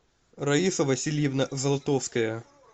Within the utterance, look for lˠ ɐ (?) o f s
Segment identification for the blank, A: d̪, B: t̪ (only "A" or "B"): B